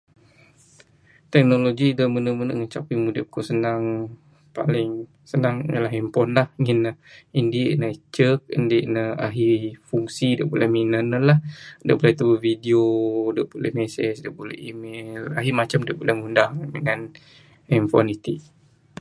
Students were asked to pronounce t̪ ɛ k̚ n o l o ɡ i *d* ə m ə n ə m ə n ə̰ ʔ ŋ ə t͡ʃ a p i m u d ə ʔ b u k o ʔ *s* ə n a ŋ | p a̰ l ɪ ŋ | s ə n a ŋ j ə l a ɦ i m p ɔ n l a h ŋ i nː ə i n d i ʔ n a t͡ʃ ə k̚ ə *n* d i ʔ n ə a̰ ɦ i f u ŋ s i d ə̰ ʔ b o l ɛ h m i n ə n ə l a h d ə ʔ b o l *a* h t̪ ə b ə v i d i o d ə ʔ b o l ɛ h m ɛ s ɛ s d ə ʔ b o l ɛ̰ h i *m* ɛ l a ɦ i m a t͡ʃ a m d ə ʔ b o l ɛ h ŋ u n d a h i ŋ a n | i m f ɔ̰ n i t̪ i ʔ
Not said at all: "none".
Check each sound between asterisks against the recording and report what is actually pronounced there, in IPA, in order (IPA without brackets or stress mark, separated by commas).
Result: d, s, n, ɛ, m